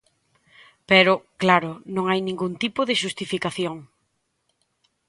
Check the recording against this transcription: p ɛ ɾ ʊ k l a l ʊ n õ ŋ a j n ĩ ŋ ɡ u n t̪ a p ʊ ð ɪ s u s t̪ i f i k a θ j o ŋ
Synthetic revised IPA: p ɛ ɾ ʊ k l a ɾ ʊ n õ ŋ a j n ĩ ŋ ɡ u n t̪ i p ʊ ð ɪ ʃ u s t̪ i f i k a θ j o ŋ